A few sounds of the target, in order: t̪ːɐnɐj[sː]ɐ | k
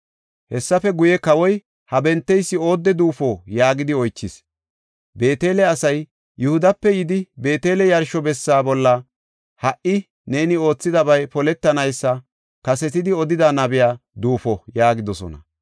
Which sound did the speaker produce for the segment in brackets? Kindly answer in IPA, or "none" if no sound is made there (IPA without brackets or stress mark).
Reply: sː